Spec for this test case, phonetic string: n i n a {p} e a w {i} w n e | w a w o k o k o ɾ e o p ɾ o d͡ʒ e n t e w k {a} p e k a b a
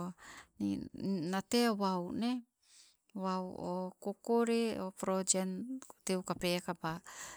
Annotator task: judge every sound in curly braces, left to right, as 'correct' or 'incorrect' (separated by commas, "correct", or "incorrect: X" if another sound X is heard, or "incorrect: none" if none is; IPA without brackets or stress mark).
incorrect: t, incorrect: a, correct